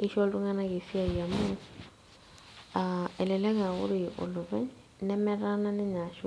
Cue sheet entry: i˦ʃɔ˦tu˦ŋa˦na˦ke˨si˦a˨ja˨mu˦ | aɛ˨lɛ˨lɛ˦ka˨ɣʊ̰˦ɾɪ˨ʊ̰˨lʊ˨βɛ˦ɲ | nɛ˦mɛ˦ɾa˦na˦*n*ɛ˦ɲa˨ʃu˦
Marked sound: correct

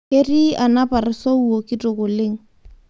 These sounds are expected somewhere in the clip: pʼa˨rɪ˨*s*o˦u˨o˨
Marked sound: correct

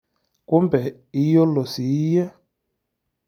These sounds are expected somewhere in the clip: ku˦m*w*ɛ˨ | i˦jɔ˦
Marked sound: incorrect: b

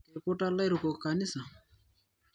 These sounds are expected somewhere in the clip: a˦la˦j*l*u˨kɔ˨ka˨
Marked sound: incorrect: ɾ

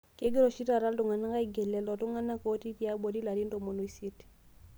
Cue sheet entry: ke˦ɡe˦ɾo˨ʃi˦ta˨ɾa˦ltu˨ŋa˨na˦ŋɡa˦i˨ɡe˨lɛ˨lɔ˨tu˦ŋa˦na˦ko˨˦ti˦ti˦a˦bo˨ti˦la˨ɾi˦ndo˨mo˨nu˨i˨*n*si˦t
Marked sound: incorrect: none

